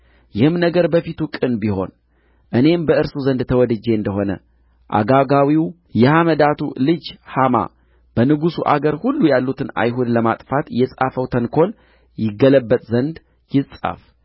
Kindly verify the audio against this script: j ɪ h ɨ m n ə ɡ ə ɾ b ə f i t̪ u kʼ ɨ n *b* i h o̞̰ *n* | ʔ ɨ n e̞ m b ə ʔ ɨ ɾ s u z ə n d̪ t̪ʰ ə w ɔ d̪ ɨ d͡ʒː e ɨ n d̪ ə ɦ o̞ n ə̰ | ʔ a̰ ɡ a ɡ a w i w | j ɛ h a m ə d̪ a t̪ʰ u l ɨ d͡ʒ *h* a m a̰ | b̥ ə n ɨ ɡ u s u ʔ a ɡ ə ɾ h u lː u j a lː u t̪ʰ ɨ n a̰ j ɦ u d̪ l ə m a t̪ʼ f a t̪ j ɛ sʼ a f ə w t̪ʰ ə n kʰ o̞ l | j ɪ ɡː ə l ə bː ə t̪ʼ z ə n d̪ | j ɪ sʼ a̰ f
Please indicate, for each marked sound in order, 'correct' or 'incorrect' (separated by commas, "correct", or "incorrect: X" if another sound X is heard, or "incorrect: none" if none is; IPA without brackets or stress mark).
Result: correct, correct, correct